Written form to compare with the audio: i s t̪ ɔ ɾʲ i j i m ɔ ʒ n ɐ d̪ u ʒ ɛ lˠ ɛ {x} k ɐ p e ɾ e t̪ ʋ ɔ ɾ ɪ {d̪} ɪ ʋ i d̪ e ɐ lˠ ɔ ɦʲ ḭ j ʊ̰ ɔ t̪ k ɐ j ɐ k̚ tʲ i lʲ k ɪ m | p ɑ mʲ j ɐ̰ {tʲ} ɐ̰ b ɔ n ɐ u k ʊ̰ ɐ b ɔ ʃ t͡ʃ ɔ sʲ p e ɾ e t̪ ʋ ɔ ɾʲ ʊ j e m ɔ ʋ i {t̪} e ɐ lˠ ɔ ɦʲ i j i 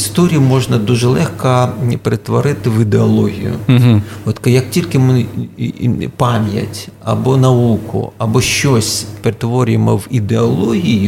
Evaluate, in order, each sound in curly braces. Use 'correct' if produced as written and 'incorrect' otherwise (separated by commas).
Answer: correct, incorrect, correct, incorrect